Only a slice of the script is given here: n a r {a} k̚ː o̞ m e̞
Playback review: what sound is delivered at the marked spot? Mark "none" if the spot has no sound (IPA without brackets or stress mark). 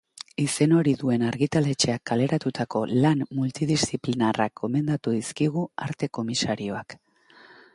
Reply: a